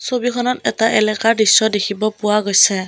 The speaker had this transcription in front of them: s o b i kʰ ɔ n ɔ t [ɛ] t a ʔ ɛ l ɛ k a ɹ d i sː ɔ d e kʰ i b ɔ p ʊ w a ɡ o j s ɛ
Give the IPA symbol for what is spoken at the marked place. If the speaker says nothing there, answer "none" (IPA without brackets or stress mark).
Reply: ɛ